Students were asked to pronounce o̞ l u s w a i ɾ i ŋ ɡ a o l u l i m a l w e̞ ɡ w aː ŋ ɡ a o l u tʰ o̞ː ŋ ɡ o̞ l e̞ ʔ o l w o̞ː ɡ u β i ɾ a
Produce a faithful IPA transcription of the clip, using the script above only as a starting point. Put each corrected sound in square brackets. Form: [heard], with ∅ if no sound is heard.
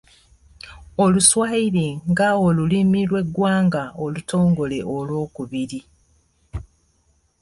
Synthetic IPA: o̞ l u s w a i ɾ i ŋ ɡ a o l u l i m [i] l w e̞ ɡ w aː ŋ ɡ a o l u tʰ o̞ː ŋ ɡ o̞ l e̞ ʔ o l w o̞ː [k] u β i ɾ [i]

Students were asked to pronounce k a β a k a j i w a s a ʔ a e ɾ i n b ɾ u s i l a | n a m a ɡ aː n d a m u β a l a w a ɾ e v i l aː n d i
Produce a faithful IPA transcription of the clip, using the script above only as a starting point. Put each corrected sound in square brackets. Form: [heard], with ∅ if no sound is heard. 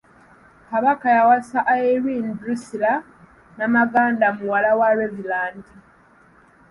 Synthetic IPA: k a β a k a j [a] w a s a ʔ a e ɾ i n b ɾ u s i l a | n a m a ɡ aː n d a m u [w] a l a w a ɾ e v i l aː n d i

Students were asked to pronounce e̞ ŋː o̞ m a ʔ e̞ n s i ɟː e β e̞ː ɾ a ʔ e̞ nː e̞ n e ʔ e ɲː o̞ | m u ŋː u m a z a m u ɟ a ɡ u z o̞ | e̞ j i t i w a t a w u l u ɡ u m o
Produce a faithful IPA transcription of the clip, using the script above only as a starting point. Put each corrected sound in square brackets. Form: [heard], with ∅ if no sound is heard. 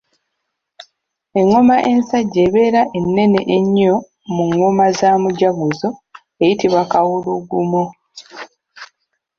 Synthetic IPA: e̞ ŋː o̞ m a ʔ e̞ n s [a] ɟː e β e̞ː ɾ a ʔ e̞ nː e̞ n e ʔ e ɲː o̞ | m u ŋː [o] m a z a m u ɟ a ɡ u z o̞ | e̞ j i t i [β] a [k] a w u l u ɡ u m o

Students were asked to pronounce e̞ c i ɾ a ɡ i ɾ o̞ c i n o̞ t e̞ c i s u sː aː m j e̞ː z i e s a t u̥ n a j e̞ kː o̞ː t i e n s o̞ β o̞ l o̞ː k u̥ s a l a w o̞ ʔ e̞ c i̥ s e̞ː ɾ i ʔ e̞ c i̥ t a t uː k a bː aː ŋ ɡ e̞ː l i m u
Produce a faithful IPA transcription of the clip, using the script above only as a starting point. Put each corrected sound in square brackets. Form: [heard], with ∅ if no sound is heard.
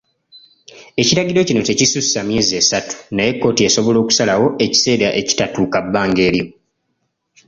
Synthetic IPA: e̞ c i ɾ a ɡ i ɾ o̞ c i n o̞ t e̞ c i s u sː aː m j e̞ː z i e s a t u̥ n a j e̞ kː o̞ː t i e [∅] s o̞ β o̞ l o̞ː k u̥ s a l a w o̞ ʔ e̞ c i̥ s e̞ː ɾ [a] ʔ e̞ c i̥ t a t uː k a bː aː ŋ ɡ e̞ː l i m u

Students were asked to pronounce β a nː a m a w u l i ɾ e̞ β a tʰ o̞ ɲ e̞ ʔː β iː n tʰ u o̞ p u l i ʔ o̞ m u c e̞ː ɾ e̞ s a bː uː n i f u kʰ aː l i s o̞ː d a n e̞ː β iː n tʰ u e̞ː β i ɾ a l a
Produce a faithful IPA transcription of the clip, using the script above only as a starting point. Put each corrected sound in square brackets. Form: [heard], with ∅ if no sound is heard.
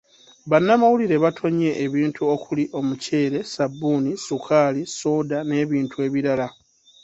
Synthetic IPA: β a nː a m a w u l i ɾ e̞ β a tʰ o̞ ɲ e̞ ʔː β iː n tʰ u o̞ [k] u l i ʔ o̞ m u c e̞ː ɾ e̞ s a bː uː n i [s] u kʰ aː l i s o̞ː d a n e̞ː β iː n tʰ u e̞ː β i ɾ a l a

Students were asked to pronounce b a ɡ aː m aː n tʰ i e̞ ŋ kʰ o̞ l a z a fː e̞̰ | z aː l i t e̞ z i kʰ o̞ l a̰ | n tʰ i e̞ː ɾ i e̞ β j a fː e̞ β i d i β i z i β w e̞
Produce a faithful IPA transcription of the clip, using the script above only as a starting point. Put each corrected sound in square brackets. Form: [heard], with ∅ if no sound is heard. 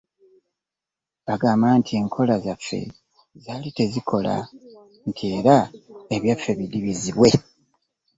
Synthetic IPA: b a ɡ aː m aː n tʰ i e̞ ŋ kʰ o̞ l a z a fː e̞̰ | z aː l i t e̞ z i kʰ o̞ l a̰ | n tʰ i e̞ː ɾ [a] e̞ β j a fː e̞ β i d i β i z i β w e̞

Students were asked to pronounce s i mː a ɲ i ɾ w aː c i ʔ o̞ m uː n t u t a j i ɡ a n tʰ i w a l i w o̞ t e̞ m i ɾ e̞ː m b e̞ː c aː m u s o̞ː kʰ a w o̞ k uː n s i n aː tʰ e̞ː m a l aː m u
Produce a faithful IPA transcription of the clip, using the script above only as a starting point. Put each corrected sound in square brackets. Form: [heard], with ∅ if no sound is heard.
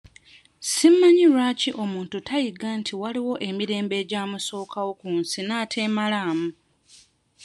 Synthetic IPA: s i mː a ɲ i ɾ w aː c i ʔ o̞ m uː n t u t a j i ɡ a n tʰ i w a l i w o̞ [ʔ] e̞ m i ɾ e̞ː m b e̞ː [ɟ] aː m u s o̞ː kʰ a w o̞ k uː n s i n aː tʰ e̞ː m a l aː m u

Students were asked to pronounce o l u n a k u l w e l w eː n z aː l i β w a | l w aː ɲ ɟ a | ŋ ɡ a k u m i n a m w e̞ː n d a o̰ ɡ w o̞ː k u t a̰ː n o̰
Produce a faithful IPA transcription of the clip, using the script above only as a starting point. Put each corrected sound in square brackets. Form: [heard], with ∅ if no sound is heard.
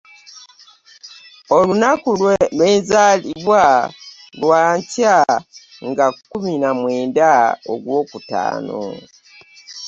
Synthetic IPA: o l u n a k u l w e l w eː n z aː l i β w a | l w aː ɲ [c] a | ŋ ɡ a k u m i n a m w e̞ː n d a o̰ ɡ w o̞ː k u t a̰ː n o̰

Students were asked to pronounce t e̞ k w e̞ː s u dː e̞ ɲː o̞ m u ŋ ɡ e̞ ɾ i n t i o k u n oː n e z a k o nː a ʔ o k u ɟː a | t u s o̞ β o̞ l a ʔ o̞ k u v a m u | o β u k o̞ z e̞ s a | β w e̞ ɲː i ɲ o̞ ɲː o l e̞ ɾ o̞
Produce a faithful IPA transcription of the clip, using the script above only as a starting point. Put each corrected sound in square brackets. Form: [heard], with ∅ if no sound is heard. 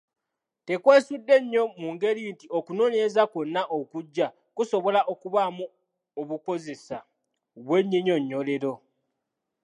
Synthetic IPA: t e̞ k w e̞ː s u dː e̞ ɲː o̞ m u ŋ ɡ e̞ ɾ i n t i o k u n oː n e z a k o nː a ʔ o k u ɟː a | [k] u s o̞ β o̞ l a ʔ o̞ k u [β] a m u | o β u k o̞ z e̞ s a | β w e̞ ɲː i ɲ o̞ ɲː o l e̞ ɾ o̞

